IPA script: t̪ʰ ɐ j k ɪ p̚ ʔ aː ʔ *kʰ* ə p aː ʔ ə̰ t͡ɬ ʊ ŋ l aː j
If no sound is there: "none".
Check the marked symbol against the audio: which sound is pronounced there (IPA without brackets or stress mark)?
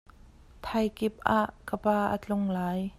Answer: k